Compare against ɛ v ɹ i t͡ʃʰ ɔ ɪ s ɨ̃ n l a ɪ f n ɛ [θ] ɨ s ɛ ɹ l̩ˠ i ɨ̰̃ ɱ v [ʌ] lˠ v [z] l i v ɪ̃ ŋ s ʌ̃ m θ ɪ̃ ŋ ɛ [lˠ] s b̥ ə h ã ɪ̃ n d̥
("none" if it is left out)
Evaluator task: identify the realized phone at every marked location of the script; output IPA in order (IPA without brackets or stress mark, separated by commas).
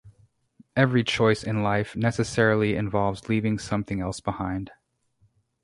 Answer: s, ɑ, z, lˠ